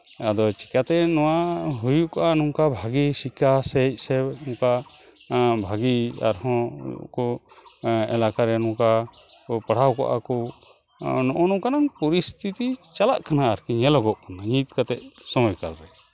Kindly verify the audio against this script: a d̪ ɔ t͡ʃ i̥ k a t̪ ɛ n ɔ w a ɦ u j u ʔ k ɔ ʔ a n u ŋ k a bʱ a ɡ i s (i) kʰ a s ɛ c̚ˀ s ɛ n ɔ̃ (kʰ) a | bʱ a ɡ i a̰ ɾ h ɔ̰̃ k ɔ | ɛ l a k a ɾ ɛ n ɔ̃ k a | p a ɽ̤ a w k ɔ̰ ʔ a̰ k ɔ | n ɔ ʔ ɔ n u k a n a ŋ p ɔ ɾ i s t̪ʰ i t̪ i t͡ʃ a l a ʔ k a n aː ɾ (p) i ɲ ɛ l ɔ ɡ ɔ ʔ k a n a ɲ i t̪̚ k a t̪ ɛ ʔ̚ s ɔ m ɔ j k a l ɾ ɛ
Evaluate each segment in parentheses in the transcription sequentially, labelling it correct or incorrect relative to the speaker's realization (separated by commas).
correct, incorrect, incorrect